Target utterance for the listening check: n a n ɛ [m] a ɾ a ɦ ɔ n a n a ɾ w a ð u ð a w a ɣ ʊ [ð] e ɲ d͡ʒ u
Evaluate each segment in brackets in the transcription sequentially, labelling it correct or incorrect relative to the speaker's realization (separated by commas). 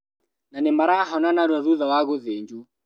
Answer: correct, correct